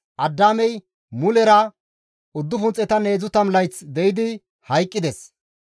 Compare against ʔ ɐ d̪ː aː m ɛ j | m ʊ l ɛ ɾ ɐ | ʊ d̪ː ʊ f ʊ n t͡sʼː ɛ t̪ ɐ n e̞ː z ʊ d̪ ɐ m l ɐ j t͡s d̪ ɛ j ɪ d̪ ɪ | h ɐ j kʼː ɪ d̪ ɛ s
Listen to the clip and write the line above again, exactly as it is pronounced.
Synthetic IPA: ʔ ɐ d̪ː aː m ɛ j | m ʊ l ɛ ɾ ɐ | ʊ d̪ː ʊ f ʊ n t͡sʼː ɛ t̪ ɐ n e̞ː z ʊ t̪ ɐ m l ɐ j t͡s d̪ ɛ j ɪ d̪ ɪ | h ɐ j kʼː ɪ d̪ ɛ s